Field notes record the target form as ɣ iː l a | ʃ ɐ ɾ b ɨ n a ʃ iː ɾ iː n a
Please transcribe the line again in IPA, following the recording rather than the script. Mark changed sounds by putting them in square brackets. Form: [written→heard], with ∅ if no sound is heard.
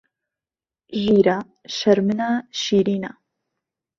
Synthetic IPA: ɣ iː [l→ɾ] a | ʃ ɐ ɾ [b→m] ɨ n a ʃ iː ɾ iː n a